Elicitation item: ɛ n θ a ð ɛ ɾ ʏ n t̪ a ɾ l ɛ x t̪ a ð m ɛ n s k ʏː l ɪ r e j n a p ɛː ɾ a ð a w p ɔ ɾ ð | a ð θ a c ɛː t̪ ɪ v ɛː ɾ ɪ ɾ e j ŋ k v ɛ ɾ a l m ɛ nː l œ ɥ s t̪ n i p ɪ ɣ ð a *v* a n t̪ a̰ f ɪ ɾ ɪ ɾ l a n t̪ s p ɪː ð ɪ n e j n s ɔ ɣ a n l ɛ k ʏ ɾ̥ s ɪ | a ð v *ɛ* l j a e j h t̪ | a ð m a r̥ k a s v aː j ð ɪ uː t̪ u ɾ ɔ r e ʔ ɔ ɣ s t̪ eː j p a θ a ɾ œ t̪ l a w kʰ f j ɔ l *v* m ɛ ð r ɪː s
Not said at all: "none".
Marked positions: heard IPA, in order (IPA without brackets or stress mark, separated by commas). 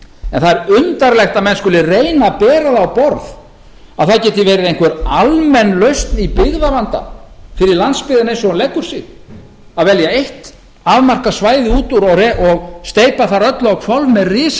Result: v, ɛ, v